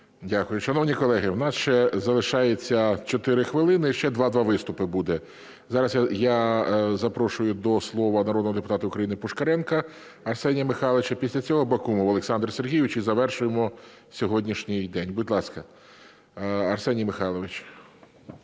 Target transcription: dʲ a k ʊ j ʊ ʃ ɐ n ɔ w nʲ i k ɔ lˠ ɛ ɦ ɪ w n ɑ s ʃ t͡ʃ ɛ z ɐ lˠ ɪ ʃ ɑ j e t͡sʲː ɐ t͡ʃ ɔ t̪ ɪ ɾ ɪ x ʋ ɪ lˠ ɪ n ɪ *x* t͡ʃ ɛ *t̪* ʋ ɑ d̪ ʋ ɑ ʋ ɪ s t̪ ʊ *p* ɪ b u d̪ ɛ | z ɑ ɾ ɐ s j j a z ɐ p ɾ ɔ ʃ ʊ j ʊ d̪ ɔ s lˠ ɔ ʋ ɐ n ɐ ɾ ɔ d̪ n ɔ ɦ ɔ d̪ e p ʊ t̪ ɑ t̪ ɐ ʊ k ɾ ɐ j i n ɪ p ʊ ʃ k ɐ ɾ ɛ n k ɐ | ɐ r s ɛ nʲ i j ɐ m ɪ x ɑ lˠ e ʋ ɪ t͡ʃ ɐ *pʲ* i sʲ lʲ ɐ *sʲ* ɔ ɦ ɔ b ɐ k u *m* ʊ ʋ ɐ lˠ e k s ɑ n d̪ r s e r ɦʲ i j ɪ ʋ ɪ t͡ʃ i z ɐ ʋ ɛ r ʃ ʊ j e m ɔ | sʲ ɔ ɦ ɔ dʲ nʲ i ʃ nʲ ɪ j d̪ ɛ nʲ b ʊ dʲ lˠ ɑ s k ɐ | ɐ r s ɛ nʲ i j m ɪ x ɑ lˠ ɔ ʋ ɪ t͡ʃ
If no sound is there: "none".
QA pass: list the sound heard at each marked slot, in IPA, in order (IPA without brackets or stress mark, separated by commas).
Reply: ʃ, d̪, p, pʲ, t͡sʲ, m